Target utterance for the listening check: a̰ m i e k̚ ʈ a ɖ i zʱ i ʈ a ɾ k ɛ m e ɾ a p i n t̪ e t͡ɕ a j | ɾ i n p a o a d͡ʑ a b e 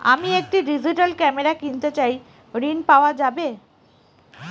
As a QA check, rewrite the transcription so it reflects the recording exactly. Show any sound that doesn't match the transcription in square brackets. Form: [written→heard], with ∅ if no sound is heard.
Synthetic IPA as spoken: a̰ m i e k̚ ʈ [a→i] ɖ i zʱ i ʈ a [ɾ→l] k ɛ m e ɾ a [p→k] i n t̪ e t͡ɕ a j | ɾ i n p a o a d͡ʑ a b e